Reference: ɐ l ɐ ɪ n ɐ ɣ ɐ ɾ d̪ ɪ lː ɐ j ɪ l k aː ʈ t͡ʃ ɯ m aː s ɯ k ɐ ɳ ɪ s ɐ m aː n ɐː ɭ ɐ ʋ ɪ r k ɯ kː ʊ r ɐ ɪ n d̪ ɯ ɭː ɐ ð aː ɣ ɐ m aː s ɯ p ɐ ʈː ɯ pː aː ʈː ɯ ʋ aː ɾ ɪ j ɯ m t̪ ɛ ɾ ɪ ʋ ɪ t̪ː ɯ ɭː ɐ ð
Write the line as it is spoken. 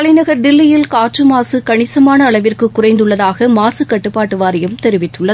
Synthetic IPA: ɐ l ɐ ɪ n ɐ ɣ ɐ ɾ d̪ ɪ lː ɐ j ɪ l k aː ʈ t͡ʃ ɯ m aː s ɯ k ɐ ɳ ɪ s ɐ m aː n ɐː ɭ ɐ ʋ ɪ r k ɯ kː ʊ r ɐ ɪ n d̪ ɯ ɭː ɐ ð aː ɣ ɐ m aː s ɯ k ɐ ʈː ɯ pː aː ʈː ɯ ʋ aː ɾ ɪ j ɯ m t̪ ɛ ɾ ɪ ʋ ɪ t̪ː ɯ ɭː ɐ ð

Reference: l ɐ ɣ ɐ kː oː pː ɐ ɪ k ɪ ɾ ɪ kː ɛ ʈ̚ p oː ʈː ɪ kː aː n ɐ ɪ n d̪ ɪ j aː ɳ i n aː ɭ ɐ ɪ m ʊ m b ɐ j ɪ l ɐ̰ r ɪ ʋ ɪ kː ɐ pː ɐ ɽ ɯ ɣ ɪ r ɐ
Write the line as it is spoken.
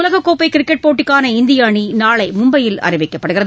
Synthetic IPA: l ɐ ɣ ɐ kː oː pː ɐ ɪ k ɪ ɾ ɪ kː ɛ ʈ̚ p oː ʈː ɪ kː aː n ɐ ɪ n d̪ ɪ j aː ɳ i n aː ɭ ɐ ɪ m ʊ m b ɐ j ɪ l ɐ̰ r ɪ ʋ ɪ kː ɐ pː ɐ ɽ ɯ ɣ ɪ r ɐ

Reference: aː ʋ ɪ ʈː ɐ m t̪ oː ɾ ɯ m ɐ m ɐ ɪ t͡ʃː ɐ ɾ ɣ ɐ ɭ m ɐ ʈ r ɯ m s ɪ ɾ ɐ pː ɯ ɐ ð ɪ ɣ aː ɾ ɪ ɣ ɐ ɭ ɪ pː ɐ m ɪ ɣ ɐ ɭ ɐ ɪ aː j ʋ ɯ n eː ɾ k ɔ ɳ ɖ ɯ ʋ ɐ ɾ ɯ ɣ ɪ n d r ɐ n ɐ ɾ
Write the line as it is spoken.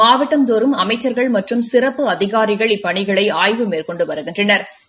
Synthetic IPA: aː ʋ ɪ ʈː ɐ m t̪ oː ɾ ɯ m ɐ m ɐ ɪ t͡ʃː ɐ ɾ ɣ ɐ ɭ m ɐ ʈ r ɯ m s ɪ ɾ ɐ pː ɯ ɐ ð ɪ ɣ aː ɾ ɪ ɣ ɐ ɭ ɪ pː ɐ ɳ ɪ ɣ ɐ ɭ ɐ ɪ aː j ʋ ɯ m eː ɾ k ɔ ɳ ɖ ɯ ʋ ɐ ɾ ɯ ɣ ɪ n d r ɐ n ɐ ɾ

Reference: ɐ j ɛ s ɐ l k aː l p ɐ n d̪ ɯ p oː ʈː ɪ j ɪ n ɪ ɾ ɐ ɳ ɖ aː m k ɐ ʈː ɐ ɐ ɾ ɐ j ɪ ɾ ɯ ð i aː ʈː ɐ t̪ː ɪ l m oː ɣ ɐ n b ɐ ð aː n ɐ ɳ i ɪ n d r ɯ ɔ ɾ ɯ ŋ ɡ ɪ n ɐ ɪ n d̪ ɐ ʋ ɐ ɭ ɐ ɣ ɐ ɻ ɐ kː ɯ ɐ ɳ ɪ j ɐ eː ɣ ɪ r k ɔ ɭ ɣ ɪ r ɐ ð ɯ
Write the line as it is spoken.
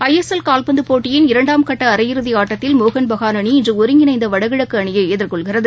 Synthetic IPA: ɐ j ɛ s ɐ l k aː l p ɐ n d̪ ɯ p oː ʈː ɪ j ɪ n ɪ ɾ ɐ ɳ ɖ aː m k ɐ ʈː ɐ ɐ ɾ ɐ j ɪ ɾ ɯ ð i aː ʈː ɐ t̪ː ɪ l m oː ɣ ɐ n b ɐ ɣ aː n ɐ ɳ i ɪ n d r ɯ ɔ ɾ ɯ ŋ ɡ ɪ n ɐ ɪ n d̪ ɐ ʋ ɐ ɽ ɐ ɣ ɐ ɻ ɐ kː ɯ ɐ ɳ ɪ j ɐ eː ð ɪ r k ɔ ɭ ɣ ɪ r ɐ ð ɯ

